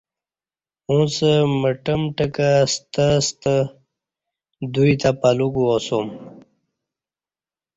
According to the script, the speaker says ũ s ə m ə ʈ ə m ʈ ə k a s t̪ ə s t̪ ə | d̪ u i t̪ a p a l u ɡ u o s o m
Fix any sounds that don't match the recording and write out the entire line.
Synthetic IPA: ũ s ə m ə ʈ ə m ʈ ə k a s t̪ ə s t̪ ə | d̪ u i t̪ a p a l u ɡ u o s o m